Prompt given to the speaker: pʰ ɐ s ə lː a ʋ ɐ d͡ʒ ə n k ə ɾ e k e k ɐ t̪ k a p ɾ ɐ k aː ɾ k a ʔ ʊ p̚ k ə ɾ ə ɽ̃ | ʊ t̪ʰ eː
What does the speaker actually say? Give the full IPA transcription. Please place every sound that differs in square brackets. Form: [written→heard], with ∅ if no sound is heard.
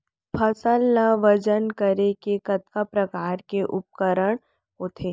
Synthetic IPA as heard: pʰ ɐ s ə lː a ʋ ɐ d͡ʒ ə n k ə ɾ e k e k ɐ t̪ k a p ɾ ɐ k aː ɾ k [a→e] ʔ ʊ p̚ k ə ɾ ə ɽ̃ | ʊ t̪ʰ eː